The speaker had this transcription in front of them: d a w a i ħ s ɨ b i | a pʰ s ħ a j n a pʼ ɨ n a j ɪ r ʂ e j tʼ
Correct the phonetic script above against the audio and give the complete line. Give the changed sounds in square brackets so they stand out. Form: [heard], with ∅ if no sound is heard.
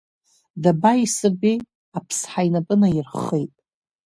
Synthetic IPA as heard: d a [b] a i [∅] s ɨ b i | a pʰ s ħ a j n a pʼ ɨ n a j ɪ r [χ] e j tʼ